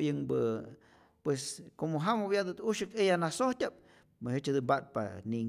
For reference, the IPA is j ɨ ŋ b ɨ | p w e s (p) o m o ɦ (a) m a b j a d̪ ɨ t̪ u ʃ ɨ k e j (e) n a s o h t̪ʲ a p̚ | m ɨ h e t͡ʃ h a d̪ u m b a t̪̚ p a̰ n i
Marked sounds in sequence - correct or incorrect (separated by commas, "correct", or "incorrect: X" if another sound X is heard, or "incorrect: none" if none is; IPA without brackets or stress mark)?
incorrect: k, correct, incorrect: a